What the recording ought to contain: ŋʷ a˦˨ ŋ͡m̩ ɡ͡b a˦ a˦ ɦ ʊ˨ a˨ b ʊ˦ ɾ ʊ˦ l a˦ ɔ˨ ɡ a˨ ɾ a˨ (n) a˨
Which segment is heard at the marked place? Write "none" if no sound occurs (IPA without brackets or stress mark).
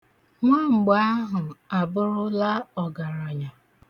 ɲ